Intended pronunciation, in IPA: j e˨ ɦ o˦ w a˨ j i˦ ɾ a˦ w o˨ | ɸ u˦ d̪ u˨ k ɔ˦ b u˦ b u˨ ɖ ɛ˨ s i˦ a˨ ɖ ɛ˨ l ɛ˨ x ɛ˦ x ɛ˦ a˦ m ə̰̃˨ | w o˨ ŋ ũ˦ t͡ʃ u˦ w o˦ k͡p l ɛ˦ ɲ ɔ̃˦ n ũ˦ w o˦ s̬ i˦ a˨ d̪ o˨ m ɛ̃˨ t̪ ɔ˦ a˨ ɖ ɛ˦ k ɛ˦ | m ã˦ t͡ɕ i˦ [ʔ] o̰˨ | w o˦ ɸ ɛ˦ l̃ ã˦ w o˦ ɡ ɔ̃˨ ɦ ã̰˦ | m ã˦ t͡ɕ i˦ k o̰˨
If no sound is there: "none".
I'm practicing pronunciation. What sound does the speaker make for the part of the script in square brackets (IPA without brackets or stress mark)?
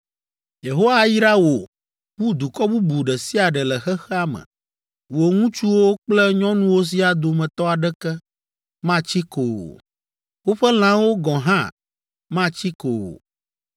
k